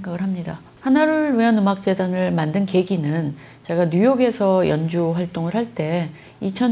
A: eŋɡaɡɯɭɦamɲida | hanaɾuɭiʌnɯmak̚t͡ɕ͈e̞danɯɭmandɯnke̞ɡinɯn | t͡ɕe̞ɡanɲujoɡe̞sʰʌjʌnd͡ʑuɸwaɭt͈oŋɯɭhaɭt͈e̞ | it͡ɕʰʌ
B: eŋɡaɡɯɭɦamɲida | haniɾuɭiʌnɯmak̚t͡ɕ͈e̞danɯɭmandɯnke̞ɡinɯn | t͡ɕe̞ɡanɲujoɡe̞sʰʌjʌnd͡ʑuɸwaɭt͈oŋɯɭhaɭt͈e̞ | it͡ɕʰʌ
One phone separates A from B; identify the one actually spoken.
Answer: A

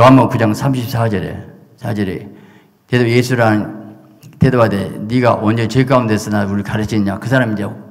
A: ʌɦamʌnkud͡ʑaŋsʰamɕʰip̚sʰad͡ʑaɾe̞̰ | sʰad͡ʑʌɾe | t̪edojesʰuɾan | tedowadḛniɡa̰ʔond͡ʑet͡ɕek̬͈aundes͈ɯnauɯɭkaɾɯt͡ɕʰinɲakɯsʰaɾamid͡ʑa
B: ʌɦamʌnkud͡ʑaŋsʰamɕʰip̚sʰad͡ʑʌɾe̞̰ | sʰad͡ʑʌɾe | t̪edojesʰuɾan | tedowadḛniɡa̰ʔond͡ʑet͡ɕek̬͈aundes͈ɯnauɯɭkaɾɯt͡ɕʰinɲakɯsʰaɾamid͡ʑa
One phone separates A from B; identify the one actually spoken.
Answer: B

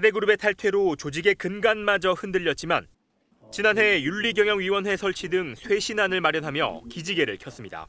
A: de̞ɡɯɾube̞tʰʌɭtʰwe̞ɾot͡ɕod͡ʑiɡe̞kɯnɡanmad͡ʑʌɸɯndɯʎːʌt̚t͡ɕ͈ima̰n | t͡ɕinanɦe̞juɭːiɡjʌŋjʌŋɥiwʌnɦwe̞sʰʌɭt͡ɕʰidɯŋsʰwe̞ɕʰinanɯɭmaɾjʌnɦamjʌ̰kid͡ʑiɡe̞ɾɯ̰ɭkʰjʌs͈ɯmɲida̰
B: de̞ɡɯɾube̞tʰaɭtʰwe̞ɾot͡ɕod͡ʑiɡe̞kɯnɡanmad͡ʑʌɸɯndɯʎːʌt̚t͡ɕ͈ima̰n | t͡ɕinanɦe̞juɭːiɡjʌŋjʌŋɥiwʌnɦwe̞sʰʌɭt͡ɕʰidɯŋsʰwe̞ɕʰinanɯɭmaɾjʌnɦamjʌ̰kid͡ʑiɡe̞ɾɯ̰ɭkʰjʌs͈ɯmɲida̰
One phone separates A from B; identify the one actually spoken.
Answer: B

